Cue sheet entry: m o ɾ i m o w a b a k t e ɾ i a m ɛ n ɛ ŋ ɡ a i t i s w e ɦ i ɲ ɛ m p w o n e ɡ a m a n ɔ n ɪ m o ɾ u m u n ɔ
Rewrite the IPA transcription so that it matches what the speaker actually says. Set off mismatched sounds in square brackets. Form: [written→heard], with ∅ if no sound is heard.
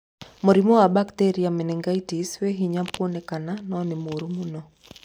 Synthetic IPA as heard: m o ɾ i m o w a b a k t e ɾ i a m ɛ n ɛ ŋ ɡ a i t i s w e ɦ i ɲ [ɛ→a] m p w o n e [ɡ→k] a [m→n] a n ɔ n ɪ m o ɾ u m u n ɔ